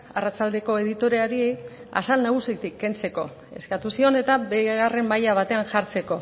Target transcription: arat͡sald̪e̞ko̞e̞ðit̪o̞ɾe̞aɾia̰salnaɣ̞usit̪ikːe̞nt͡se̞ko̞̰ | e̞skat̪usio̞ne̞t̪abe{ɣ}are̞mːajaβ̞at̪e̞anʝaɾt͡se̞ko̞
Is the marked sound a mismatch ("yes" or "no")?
no